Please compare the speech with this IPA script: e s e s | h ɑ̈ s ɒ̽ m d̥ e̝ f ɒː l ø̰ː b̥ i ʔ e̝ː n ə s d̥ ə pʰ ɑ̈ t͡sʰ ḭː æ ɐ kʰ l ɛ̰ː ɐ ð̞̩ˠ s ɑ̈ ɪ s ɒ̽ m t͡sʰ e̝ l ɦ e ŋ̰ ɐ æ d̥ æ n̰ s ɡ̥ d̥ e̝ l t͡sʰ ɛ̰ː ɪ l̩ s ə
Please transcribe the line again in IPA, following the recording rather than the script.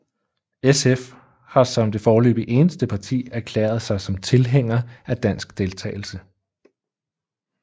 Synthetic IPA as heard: e s e f | h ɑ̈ s ɒ̽ m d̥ e̝ f ɒː l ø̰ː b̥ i ʔ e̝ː n ə s d̥ ə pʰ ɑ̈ t͡sʰ ḭː æ ɐ kʰ l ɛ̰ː ɐ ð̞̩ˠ s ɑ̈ ɪ s ɒ̽ m t͡sʰ e̝ l ɦ e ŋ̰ ɐ æ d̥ æ n̰ s ɡ̥ d̥ e̝ l t͡sʰ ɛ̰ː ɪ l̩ s ə